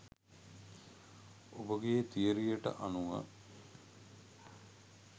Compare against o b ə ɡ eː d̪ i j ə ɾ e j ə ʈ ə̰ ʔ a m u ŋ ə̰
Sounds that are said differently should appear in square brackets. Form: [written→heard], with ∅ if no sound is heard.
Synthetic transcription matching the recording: o b ə ɡ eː [d̪→t̪] i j ə ɾ [e→i] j ə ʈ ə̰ ʔ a [m→n] u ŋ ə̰